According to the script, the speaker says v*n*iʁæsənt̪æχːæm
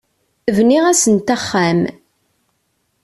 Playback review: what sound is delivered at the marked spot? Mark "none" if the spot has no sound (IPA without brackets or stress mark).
n